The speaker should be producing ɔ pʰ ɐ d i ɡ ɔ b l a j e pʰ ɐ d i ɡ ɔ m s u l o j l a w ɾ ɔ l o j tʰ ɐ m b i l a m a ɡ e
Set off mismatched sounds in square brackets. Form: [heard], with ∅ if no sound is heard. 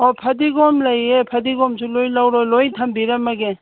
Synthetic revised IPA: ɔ pʰ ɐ d i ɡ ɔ [m] l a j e pʰ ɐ d i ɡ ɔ m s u l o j l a w ɾ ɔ l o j tʰ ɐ m b i [ɾ] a m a ɡ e